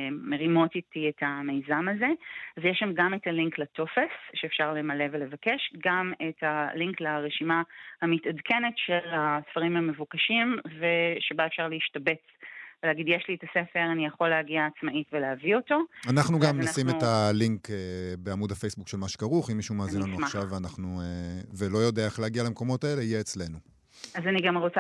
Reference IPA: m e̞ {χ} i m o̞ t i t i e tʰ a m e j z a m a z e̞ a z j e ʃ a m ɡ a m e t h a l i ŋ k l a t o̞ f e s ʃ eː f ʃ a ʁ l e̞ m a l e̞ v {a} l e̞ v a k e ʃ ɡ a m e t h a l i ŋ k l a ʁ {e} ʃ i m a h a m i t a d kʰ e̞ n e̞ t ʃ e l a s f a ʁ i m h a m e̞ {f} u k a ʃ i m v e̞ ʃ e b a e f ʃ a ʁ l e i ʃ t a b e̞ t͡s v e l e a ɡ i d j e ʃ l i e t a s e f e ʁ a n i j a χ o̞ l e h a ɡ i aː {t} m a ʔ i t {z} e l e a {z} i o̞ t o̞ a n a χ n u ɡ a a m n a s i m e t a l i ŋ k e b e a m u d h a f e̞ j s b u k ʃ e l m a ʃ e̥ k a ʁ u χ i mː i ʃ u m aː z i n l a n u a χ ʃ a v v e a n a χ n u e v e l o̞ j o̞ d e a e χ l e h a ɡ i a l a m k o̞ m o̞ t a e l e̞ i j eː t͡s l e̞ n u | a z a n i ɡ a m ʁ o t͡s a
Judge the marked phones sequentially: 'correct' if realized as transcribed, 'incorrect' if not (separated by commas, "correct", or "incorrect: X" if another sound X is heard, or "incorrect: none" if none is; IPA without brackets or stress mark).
incorrect: ʁ, incorrect: e, correct, incorrect: v, incorrect: t͡s, incorrect: v, incorrect: v